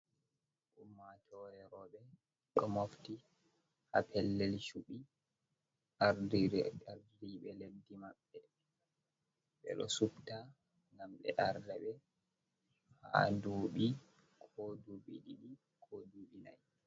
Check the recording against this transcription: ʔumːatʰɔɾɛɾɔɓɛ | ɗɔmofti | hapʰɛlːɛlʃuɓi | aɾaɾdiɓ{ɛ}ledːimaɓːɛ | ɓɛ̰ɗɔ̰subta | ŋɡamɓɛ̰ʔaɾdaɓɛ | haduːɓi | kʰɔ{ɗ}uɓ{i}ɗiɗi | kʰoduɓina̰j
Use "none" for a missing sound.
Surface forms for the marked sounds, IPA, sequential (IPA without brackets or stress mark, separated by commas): ɛ, d, i